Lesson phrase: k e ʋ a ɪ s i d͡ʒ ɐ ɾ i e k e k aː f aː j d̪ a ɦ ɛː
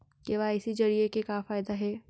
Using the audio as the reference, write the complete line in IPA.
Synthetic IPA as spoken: k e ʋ a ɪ s i d͡ʒ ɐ ɾ i e k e k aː f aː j d̪ a ɦ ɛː